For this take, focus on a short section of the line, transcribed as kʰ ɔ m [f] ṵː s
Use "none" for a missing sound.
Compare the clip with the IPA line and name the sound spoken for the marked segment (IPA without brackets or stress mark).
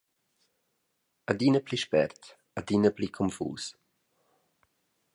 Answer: f